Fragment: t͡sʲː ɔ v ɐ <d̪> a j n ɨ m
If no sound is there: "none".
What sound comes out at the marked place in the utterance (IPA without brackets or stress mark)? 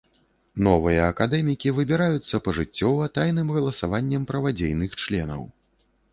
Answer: t̪